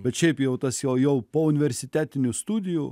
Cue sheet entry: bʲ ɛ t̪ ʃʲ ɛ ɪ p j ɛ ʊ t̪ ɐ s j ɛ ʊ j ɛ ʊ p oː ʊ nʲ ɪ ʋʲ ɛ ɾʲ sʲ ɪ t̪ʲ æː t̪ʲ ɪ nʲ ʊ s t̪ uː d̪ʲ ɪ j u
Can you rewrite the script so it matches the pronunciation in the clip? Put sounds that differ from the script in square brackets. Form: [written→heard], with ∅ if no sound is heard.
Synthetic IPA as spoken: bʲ ɛ t̪ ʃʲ ɛ ɪ p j ɛ ʊ t̪ ɐ s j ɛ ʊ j ɛ ʊ p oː ʊ nʲ ɪ ʋʲ ɛ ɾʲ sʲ ɪ t̪ʲ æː t̪ʲ ɪ nʲ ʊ s t̪ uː d̪ʲ ɪ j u